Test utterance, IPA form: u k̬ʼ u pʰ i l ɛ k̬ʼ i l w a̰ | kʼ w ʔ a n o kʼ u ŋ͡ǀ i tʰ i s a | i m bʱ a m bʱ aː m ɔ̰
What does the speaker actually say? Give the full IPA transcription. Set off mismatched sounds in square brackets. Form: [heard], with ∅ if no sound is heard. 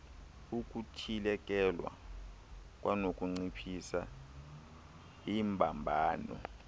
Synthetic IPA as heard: u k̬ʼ u [tʰ] i l ɛ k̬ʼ [ɛ] l w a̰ | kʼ w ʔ a n o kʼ u ŋ͡ǀ i [pʰ] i s a | i m bʱ a m bʱ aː [n] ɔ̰